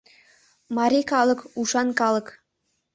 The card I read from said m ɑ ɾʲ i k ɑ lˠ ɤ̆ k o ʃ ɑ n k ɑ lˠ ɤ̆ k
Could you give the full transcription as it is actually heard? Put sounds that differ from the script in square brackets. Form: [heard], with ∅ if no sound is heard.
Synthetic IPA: m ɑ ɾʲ i k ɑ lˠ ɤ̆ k [u] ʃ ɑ n k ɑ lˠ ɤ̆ k